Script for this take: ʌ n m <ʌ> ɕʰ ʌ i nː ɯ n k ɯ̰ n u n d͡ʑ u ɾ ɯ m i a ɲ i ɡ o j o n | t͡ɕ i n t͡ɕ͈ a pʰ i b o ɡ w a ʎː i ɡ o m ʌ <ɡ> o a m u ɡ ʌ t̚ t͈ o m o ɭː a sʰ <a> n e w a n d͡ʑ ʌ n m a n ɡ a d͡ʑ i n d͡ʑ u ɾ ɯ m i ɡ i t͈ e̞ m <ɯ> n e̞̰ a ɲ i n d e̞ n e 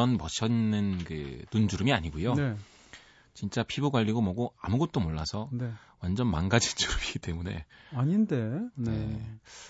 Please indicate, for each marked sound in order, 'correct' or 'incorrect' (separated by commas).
correct, correct, incorrect, incorrect